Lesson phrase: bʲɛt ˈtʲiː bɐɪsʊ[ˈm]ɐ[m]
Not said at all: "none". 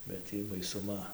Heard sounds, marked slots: m, none

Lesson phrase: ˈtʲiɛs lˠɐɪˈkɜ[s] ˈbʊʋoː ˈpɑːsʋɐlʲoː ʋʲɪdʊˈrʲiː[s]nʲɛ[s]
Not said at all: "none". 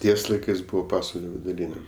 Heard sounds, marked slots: s, none, none

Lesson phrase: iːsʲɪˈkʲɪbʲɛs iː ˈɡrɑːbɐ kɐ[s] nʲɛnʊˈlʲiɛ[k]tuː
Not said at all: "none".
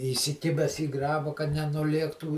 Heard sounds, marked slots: t, k

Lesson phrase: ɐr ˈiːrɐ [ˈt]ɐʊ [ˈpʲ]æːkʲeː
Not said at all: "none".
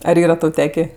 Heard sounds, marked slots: t, tʲ

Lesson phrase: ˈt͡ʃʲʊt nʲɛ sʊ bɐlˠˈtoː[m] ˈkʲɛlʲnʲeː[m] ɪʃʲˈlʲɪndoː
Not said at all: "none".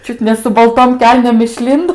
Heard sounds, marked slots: m, m

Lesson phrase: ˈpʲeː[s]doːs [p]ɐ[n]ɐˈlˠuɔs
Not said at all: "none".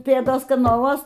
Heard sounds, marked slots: none, k, n

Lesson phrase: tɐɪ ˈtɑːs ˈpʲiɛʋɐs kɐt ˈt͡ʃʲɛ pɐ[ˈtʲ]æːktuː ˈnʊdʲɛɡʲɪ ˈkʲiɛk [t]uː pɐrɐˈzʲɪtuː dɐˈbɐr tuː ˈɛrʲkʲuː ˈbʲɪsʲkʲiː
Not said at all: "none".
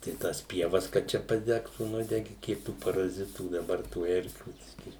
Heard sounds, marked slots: dʲ, t

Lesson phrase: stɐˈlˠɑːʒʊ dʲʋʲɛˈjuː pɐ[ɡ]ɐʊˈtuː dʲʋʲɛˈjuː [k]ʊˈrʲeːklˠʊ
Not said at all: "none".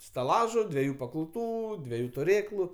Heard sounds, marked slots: k, t

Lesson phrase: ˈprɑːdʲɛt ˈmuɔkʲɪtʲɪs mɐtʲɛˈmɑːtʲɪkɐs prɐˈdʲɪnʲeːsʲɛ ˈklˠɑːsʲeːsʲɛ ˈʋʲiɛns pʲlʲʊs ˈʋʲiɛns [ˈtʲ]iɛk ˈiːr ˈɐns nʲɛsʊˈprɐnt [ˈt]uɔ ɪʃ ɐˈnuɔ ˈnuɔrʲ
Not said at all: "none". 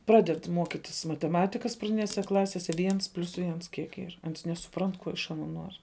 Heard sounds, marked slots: kʲ, k

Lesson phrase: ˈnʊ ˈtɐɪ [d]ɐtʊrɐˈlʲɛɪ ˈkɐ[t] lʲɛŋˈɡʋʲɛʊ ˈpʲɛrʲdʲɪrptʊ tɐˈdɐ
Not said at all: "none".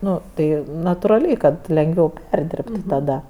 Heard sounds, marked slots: n, t

